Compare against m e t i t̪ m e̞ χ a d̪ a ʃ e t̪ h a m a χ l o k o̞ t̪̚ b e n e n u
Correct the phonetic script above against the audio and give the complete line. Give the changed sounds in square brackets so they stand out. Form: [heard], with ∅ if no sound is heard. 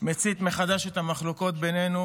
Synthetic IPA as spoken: m e [t͡s] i t̪ m e̞ χ a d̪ a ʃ e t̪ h a m a χ l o k o̞ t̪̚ b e n e n u